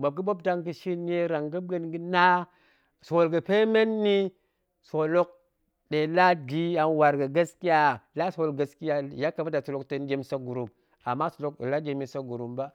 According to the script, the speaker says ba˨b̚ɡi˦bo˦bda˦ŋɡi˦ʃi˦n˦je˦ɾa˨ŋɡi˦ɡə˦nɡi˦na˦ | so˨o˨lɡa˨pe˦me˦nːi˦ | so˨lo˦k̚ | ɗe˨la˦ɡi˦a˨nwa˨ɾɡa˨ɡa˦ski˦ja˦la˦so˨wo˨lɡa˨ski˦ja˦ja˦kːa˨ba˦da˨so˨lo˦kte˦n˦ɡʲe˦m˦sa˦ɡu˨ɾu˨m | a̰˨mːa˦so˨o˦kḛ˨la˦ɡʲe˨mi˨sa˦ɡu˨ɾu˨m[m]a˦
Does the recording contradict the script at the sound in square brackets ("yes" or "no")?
yes